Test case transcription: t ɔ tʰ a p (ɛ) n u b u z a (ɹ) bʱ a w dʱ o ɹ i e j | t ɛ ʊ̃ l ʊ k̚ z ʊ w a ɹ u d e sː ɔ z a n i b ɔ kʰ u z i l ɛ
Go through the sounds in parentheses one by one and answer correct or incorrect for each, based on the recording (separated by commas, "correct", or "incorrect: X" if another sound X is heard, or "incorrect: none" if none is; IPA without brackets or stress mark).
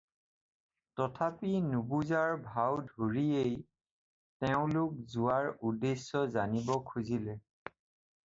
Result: incorrect: i, correct